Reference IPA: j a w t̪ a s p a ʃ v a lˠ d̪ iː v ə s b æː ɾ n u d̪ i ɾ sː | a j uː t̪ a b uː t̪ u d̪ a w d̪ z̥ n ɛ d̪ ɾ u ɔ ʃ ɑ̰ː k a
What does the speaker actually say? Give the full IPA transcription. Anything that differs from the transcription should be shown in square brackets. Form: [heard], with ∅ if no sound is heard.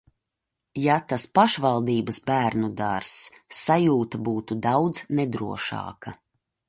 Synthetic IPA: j a [∅] t̪ a s p a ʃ v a lˠ d̪ iː [b] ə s b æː ɾ n u d̪ [a] ɾ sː | a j uː t̪ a b uː t̪ u d̪ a w d̪ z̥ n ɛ d̪ ɾ u ɔ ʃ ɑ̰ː k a